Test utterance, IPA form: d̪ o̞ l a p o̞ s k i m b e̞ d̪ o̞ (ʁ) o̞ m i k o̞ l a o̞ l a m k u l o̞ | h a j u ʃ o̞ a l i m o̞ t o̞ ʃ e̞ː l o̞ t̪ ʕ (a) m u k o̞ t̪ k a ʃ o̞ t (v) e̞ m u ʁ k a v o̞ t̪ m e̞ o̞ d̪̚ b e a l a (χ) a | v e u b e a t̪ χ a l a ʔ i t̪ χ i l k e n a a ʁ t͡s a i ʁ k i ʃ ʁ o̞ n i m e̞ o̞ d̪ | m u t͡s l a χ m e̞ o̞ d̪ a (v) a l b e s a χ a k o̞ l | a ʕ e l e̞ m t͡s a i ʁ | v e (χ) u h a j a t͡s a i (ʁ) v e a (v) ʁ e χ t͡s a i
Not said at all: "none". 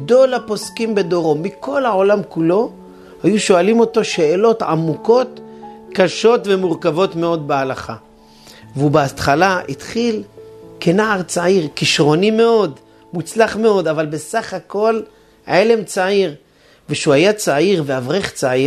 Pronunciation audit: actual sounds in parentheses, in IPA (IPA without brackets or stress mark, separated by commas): ʁ, a, v, χ, v, ʃ, ʁ, v